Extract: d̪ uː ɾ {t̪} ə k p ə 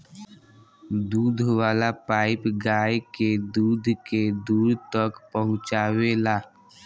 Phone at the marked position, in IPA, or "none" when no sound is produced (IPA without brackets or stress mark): t̪